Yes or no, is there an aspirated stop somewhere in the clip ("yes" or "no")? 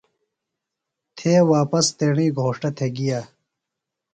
yes